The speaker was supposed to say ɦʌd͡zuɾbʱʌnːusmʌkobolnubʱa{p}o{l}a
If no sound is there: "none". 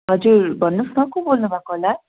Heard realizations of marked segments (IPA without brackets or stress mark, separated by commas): k, l